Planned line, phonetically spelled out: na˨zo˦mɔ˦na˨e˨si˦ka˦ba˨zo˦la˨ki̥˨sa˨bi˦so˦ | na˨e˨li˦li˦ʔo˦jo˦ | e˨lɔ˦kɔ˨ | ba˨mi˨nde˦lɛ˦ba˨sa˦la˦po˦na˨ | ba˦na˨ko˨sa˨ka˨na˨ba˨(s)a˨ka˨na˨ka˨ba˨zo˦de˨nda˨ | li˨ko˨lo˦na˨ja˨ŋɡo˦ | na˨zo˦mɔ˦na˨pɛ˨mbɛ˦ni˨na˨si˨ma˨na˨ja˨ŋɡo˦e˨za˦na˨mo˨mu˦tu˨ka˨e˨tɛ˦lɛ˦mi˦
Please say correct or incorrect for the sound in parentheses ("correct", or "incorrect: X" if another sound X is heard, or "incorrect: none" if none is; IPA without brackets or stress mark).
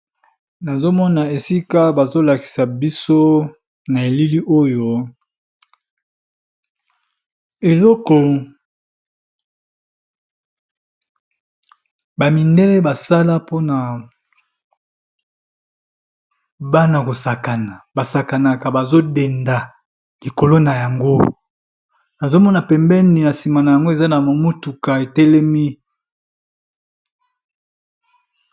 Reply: correct